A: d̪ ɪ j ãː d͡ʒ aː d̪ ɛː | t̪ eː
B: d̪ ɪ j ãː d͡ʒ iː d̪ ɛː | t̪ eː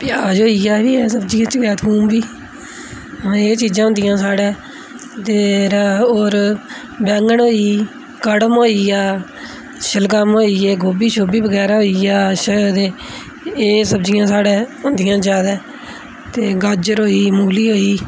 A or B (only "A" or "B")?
A